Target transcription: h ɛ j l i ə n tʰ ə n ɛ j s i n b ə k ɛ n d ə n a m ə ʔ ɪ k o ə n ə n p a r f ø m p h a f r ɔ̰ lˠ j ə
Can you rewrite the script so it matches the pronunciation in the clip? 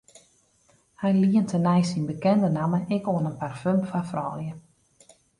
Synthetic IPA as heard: h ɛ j l i ə n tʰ ə n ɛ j s i n b ə k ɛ n d ə n a m ə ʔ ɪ k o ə n ə n p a r f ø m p f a f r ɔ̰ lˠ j ə